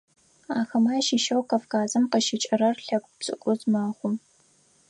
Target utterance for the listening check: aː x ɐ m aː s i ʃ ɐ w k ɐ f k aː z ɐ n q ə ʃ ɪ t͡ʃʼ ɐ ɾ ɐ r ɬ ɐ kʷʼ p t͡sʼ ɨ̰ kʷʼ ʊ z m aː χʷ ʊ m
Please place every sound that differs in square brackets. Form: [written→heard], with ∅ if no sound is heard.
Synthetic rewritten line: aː x ɐ m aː [s→ʃ] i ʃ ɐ w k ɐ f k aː z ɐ [n→m] q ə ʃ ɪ t͡ʃʼ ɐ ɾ ɐ r ɬ ɐ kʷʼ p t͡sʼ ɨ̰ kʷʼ ʊ z m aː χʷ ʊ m